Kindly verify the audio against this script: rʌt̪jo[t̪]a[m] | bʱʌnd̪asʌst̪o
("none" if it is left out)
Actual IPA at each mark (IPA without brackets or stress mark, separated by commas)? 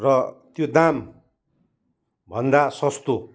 d̪, m